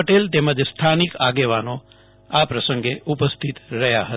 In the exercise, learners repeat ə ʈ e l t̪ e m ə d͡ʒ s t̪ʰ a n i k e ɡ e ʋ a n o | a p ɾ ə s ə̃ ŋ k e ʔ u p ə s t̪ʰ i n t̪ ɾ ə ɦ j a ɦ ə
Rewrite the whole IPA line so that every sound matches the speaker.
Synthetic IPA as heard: ə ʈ e l t̪ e m ə d͡ʒ s t̪ʰ a n i k a ɡ e ʋ a n o | a p ɾ ə s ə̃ ŋ ɡ e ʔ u p ə s t̪ʰ i t̪ ɾ ə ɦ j a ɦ ə

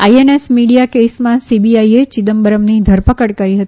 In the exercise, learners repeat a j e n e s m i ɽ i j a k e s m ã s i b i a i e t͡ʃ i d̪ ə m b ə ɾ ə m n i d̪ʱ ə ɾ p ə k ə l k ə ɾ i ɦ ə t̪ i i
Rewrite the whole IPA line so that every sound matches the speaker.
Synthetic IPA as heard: a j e n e s m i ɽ i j a k e s m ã s i b i a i e t͡ʃ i d̪ ə m b ə ɾ ə m n i d̪ʱ ə ɾ p ə k ə ɽ k ə ɾ i ɦ ə t̪ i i

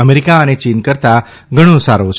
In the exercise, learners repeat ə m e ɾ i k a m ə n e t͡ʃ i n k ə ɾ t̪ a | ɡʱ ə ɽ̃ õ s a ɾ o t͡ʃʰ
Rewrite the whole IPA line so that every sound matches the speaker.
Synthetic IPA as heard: ə m e ɾ i k a ə n e t͡ʃ i n k ə ɾ t̪ a | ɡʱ ə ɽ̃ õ s a ɾ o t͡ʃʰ

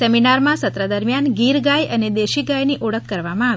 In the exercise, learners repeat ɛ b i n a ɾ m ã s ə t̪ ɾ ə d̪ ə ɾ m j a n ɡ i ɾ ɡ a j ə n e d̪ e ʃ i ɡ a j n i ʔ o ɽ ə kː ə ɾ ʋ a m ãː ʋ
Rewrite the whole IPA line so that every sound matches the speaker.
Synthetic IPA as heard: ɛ m i n a ɾ m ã s ə t̪ ɾ ə d̪ ə ɾ m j a n ɡ i ɾ ɡ a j ə n e d̪ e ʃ i ɡ a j n i ʔ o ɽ ə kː ə ɾ ʋ a m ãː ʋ

